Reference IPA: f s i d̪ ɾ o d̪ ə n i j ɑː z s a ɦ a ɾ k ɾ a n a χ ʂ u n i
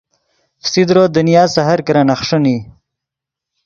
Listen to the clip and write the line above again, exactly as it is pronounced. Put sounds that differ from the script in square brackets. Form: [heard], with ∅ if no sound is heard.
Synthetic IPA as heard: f s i d̪ ɾ o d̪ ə n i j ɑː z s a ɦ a ɾ k ɾ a n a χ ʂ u n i